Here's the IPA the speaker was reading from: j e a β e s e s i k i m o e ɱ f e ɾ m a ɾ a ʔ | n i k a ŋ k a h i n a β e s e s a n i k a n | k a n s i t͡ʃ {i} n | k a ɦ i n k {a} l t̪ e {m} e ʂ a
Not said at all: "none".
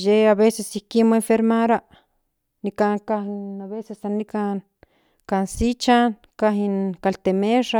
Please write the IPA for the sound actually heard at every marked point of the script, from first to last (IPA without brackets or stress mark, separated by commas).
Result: a, a, m